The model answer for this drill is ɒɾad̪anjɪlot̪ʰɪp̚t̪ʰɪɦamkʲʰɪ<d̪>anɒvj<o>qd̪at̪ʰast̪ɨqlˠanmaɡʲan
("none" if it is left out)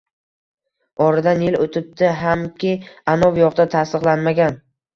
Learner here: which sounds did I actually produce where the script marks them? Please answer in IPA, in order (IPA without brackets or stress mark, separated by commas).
none, ɒ